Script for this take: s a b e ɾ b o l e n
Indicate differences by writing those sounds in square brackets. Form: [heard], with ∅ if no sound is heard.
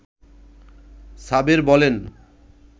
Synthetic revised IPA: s a b e ɾ b [ɔ] l e n